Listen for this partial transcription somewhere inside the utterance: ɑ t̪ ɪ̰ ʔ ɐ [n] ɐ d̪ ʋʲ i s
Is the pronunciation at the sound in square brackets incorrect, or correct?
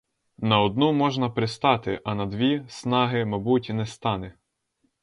correct